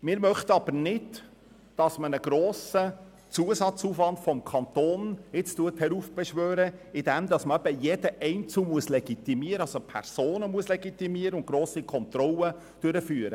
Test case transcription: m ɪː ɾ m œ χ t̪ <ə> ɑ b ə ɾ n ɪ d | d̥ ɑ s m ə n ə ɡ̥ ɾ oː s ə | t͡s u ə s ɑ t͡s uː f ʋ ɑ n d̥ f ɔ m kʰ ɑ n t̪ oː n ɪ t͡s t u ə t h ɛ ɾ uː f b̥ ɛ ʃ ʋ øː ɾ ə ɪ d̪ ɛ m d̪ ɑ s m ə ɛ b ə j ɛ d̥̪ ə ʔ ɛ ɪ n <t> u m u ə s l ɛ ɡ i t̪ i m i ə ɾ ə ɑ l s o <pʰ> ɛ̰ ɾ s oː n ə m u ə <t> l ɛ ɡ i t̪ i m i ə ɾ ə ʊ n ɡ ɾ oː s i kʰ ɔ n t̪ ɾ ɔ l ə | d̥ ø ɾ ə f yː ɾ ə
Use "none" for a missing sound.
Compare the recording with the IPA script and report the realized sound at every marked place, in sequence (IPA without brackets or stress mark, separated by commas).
ə, t͡s, pʰ, s